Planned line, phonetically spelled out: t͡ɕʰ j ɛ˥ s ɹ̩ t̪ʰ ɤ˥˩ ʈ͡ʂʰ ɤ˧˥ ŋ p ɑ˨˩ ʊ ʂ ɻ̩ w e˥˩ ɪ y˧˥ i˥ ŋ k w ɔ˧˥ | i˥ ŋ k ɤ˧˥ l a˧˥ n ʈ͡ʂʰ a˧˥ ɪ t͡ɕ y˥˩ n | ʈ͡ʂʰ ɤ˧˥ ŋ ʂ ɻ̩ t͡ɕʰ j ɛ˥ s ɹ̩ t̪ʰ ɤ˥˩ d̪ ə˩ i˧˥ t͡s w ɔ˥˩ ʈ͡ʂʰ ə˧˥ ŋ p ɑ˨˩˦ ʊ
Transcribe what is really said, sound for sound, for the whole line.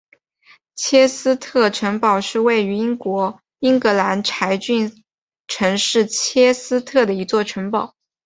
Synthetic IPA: t͡ɕʰ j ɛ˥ s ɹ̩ t̪ʰ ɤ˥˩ ʈ͡ʂʰ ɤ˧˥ ŋ p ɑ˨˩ ʊ ʂ ɻ̩ w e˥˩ ɪ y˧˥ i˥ ŋ k w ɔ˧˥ | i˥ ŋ k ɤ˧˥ l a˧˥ n ʈ͡ʂʰ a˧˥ ɪ t͡ɕ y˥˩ n | ʈ͡ʂʰ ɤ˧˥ ŋ ʂ ɻ̩ t͡ɕʰ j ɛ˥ s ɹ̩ t̪ʰ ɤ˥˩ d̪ ə˩ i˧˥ t͡s w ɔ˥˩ ʈ͡ʂʰ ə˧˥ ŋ p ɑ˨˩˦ ʊ